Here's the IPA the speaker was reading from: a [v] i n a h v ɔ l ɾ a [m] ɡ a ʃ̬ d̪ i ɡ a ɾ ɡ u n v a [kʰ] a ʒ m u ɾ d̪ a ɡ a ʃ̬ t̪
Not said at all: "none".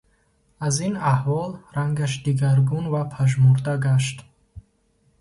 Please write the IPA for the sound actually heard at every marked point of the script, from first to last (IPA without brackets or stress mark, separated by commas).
z, ŋ, pʰ